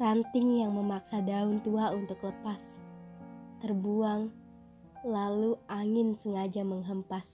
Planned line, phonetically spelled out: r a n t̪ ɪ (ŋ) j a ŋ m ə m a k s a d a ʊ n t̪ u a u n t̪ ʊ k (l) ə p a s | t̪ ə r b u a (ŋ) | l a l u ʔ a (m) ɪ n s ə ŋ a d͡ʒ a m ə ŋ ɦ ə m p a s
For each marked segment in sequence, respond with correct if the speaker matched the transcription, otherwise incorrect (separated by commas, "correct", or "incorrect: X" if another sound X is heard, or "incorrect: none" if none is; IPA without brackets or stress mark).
correct, correct, correct, incorrect: ŋ